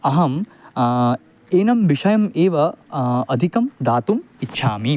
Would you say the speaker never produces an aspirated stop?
yes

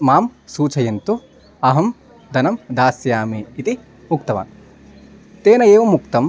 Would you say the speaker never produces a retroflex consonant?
yes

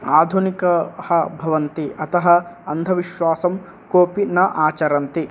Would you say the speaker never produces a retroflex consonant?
yes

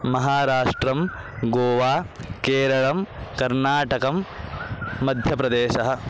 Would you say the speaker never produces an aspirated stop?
yes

